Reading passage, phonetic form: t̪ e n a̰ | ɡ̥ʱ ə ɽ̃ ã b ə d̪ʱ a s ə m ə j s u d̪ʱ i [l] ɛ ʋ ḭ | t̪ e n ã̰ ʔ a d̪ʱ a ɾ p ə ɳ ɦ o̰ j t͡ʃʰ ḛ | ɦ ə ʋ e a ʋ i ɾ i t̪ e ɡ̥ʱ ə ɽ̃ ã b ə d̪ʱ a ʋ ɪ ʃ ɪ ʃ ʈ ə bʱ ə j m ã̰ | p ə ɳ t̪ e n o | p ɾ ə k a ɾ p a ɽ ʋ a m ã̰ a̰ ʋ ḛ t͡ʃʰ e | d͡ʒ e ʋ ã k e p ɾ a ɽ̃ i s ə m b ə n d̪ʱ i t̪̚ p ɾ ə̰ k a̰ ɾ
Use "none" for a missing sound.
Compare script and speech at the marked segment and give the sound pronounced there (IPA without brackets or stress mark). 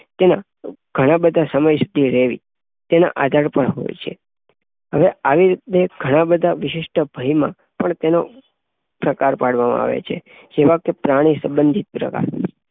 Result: ɾ